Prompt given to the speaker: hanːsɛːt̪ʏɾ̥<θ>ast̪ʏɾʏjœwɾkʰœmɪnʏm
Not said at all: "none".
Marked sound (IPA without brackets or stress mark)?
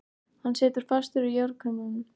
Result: f